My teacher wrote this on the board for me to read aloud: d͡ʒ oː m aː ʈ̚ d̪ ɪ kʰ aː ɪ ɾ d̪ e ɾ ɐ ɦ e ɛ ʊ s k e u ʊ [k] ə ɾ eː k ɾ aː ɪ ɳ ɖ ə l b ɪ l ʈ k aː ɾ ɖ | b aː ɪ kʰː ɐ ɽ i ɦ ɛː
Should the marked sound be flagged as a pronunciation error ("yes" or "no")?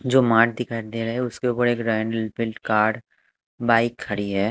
yes